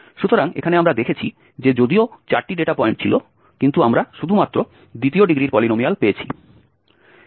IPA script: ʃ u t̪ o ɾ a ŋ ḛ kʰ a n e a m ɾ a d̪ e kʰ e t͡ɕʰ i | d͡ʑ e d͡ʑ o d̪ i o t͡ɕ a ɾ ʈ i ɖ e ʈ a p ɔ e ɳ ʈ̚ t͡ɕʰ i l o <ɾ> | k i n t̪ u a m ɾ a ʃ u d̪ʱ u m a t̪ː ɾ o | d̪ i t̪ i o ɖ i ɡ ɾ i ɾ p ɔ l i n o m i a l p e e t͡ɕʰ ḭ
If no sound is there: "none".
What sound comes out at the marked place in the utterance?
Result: none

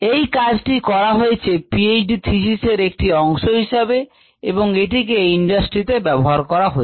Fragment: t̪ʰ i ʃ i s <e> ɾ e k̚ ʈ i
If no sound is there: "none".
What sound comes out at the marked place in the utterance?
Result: e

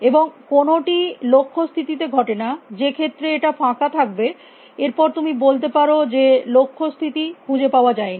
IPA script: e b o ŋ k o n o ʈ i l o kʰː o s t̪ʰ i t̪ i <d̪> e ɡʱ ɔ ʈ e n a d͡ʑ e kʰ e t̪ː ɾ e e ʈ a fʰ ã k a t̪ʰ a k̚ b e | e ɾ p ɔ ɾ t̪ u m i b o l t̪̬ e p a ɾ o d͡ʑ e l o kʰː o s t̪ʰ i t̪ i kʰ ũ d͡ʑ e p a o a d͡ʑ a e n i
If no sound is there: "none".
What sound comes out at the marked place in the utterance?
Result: t̪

